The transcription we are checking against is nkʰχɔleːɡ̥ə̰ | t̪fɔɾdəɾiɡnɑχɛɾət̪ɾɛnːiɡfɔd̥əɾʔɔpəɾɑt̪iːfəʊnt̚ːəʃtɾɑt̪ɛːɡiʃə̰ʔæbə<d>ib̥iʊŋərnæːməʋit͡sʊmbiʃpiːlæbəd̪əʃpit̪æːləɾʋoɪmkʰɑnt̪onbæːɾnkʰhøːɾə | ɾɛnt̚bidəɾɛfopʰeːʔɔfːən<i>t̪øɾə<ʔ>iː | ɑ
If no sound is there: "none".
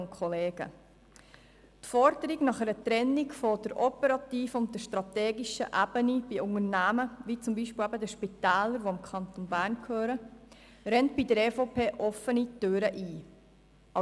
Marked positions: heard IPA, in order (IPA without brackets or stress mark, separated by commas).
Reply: n, i, ʔ